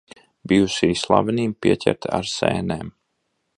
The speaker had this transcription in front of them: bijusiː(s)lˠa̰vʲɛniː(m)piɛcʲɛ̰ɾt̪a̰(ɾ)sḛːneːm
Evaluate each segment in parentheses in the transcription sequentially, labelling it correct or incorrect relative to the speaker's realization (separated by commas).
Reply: correct, correct, correct